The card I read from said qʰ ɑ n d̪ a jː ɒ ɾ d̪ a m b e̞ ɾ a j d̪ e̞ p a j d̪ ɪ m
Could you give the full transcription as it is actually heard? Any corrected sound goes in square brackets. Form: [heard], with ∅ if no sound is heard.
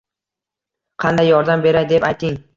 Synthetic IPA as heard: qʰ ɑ n d̪ a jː ɒ ɾ d̪ a m b e̞ ɾ a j d̪ e̞ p a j [t̪] ɪ [ŋ]